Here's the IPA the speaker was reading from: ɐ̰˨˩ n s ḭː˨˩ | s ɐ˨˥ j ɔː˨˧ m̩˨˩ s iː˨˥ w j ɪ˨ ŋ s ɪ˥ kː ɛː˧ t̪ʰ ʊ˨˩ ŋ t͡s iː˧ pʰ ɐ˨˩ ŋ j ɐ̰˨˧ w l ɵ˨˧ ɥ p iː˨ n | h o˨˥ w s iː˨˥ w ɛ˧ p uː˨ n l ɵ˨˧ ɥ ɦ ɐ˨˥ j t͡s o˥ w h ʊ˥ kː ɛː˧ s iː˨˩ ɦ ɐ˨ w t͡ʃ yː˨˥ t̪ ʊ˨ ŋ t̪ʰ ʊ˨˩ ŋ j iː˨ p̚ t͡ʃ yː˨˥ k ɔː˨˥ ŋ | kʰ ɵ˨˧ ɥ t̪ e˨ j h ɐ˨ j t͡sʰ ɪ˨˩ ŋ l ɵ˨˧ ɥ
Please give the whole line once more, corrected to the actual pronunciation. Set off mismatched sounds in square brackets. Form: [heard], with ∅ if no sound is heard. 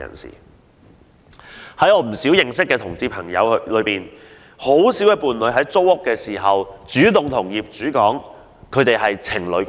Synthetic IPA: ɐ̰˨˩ n s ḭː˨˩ | [h] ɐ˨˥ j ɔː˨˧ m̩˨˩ s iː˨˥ w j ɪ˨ ŋ s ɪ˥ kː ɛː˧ t̪ʰ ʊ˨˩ ŋ t͡s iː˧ pʰ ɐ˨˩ ŋ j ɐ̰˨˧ w l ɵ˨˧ ɥ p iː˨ n | h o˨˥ w s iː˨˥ w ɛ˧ p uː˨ n l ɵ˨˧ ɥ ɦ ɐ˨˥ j t͡s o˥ w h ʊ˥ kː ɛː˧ s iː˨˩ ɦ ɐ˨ w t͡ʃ yː˨˥ t̪ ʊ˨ ŋ t̪ʰ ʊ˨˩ ŋ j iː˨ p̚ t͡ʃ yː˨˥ k ɔː˨˥ ŋ | kʰ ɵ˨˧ ɥ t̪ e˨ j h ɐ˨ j t͡sʰ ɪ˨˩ ŋ l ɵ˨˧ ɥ